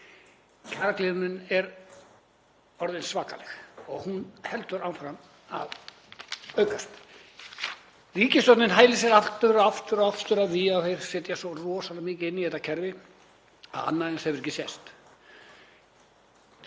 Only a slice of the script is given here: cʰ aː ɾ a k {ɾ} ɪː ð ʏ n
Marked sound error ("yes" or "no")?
yes